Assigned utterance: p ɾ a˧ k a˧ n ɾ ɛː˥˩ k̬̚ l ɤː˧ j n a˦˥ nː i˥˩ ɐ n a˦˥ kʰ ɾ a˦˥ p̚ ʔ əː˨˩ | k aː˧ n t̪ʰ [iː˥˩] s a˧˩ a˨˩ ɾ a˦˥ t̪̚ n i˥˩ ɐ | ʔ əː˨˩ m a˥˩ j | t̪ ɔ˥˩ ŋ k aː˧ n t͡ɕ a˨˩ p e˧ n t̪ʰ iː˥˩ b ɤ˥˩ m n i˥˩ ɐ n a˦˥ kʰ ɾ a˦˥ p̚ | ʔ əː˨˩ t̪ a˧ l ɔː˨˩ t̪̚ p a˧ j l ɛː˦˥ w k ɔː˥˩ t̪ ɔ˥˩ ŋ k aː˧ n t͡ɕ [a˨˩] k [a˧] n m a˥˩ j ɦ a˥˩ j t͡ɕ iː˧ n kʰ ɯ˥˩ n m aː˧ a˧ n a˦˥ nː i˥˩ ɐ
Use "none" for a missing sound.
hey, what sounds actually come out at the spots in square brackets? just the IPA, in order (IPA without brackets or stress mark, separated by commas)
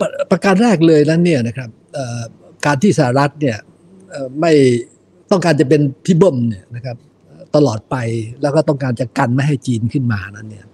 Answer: iː˥˩, a˨˩, a˧